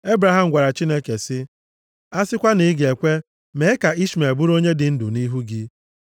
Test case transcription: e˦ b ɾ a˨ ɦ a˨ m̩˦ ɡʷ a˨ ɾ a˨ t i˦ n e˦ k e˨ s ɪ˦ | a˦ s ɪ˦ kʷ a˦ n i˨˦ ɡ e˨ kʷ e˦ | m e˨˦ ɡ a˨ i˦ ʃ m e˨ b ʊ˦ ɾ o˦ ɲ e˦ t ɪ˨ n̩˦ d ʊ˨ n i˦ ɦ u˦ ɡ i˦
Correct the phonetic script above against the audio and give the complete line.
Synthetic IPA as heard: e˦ b ɾ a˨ ɦ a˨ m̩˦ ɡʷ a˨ ɾ a˨ t͡ʃ i˦ n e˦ k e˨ s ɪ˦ | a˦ s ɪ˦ kʷ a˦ n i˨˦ ɡ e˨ kʷ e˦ | m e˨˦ k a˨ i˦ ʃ m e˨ b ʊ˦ ɾ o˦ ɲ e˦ d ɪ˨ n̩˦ d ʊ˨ n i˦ ɦ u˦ ɡ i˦